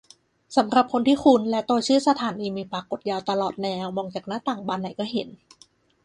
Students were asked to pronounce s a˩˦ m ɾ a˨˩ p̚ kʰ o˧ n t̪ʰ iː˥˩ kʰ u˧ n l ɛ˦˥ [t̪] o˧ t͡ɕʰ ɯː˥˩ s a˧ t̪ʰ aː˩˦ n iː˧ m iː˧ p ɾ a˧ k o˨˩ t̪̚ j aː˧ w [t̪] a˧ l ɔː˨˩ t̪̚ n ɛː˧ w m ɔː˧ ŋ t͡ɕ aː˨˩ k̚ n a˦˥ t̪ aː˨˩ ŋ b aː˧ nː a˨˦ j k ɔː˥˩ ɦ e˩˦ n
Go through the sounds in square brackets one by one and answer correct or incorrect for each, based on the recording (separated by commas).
correct, correct